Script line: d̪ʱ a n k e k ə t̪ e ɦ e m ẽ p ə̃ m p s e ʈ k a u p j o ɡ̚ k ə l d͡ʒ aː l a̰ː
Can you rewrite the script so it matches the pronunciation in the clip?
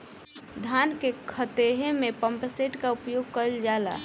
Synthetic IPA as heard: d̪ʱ a n k e kʰ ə t̪ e ɦ e m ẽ p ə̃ m p s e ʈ k a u p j o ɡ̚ k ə l d͡ʒ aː l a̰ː